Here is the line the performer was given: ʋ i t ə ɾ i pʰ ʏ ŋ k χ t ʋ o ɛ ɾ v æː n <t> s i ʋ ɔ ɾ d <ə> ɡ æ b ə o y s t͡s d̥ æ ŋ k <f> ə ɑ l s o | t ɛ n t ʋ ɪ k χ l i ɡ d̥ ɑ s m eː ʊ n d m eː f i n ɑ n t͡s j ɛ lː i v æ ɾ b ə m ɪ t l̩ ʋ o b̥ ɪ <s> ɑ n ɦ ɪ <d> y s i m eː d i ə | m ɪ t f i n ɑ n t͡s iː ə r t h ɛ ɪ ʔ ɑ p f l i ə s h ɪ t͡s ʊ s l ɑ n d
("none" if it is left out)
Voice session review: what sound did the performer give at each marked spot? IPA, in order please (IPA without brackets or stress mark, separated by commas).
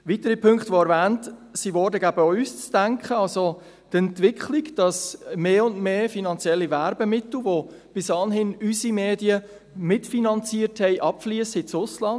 t, ə, χ, s, n